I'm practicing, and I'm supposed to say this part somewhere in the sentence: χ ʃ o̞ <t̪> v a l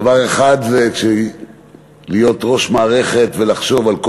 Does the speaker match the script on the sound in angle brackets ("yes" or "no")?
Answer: no